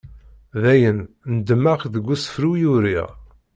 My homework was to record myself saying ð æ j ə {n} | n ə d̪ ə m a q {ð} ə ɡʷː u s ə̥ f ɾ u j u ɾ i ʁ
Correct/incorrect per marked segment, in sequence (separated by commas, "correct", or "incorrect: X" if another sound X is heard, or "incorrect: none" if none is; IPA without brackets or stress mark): correct, correct